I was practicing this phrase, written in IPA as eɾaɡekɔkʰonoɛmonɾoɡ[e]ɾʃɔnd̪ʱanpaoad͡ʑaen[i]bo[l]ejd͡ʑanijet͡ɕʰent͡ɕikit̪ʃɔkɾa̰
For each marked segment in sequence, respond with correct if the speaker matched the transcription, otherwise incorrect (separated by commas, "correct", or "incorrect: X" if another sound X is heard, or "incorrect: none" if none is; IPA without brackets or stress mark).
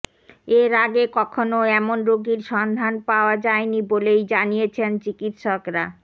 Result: incorrect: i, correct, correct